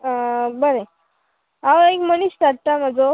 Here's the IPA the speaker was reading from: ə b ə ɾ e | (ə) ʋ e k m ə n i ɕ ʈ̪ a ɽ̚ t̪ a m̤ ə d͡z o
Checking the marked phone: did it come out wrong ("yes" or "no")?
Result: yes